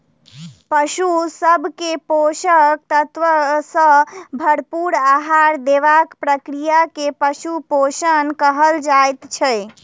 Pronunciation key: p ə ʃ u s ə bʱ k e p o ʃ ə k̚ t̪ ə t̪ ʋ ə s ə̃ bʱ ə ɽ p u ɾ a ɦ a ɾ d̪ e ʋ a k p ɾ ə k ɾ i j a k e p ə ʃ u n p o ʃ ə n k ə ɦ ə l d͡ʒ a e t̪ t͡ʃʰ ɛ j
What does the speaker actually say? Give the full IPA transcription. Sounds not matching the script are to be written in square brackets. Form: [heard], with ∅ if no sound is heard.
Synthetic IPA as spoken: p ə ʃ u s ə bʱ k e p o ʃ ə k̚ t̪ ə t̪ ʋ ə s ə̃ bʱ ə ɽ p u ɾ a ɦ a ɾ d̪ e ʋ a k p ɾ ə k ɾ i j a k e p ə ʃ u [∅] p o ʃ ə n k ə ɦ ə l d͡ʒ a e t̪ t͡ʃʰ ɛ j